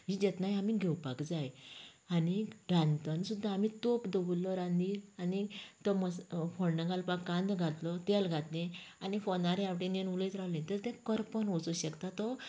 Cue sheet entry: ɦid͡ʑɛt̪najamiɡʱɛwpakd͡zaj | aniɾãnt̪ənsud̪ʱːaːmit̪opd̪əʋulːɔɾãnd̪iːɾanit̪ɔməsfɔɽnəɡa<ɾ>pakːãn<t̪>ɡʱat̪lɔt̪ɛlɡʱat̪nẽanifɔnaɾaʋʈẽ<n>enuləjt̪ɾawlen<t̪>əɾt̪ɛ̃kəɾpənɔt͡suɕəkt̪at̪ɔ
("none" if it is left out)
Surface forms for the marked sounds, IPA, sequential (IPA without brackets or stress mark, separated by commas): l, d̪, n, t̪